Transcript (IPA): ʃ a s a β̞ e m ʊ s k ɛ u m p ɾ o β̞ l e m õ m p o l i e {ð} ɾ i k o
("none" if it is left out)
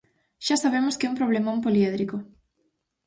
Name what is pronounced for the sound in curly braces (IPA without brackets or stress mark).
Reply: ð